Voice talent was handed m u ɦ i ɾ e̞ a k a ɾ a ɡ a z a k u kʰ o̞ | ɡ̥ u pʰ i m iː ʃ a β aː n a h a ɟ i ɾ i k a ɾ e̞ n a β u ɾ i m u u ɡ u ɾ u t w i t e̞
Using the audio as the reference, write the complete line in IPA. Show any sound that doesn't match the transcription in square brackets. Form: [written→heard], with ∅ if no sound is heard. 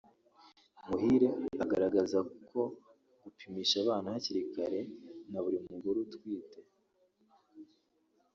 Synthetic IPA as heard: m u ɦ i ɾ e̞ a [k→ɡ] a ɾ a ɡ a z a k u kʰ o̞ | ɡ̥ u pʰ i m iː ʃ a β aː n a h a [ɟ→c] i ɾ i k a ɾ e̞ n a β u ɾ i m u u ɡ u ɾ u t w [i→iː] t e̞